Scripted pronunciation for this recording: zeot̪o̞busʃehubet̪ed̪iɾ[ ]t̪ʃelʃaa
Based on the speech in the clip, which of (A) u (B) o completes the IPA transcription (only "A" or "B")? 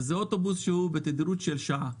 A